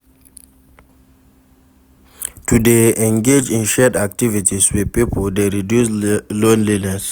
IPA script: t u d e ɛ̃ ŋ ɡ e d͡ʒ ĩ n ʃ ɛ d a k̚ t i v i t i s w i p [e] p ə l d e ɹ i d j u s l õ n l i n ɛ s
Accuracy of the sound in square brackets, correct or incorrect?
incorrect